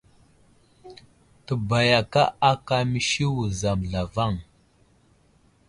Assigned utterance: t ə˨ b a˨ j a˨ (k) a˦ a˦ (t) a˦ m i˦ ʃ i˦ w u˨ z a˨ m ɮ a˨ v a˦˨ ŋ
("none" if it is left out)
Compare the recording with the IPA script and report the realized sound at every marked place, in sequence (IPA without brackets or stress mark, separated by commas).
k, k